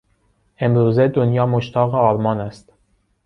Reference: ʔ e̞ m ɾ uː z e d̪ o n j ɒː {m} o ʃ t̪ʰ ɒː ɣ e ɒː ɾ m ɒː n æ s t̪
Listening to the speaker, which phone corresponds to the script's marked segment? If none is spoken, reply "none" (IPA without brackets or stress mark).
m